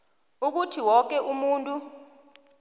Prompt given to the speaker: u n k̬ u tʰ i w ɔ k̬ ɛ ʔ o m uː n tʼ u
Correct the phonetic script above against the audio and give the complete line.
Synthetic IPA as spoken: u k̬ u tʰ i w ɔ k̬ ɛ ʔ u m uː n tʼ u